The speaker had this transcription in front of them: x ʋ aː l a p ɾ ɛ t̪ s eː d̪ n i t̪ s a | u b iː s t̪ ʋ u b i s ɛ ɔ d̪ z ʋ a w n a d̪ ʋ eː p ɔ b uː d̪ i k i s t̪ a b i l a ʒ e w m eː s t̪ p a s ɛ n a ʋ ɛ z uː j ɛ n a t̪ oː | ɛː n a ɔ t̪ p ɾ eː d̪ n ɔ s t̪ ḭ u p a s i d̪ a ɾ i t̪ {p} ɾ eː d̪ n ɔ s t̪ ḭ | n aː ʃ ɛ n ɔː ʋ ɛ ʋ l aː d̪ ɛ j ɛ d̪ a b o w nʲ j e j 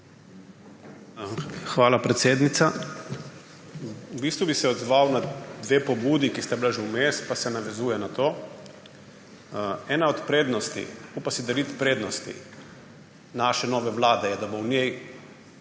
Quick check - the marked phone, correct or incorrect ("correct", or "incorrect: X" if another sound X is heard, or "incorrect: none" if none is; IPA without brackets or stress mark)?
correct